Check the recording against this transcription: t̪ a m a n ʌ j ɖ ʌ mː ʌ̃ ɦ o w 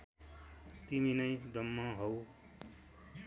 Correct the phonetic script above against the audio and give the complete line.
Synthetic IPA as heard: t̪ i m i n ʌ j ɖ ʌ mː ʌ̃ ɦ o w